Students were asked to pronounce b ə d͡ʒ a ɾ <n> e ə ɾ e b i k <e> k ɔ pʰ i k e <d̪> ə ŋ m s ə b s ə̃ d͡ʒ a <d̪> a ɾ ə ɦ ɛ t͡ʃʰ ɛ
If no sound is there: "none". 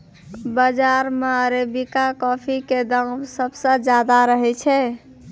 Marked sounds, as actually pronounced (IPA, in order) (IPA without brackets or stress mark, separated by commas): m, a, d̪, d̪